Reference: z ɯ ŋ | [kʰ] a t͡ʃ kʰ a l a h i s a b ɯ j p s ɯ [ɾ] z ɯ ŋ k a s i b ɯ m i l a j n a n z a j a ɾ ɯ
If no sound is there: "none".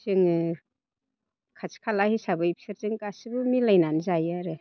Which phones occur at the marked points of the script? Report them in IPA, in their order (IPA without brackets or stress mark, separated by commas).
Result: kʰ, ɾ